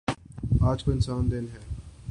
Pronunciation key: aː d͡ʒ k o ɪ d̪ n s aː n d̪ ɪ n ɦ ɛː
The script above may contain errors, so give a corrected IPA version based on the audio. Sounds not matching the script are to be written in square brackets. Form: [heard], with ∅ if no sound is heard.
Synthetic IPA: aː d͡ʒ k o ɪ [∅] n s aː n d̪ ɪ n ɦ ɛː